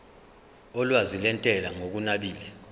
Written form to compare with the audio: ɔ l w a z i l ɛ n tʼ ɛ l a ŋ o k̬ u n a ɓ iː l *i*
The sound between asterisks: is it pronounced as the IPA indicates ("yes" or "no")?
no